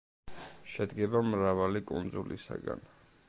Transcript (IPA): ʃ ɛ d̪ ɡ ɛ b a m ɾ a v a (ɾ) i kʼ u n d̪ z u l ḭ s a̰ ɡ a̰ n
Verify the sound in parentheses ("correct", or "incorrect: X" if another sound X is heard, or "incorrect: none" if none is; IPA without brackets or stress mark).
incorrect: l